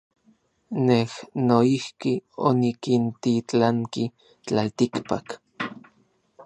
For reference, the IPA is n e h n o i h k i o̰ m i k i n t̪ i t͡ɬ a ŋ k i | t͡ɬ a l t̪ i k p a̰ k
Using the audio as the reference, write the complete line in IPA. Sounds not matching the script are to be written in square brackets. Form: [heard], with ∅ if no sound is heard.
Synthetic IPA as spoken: n e h n o i h k i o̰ [n] i k i n t̪ i t͡ɬ a ŋ k i | t͡ɬ a l t̪ i k p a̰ k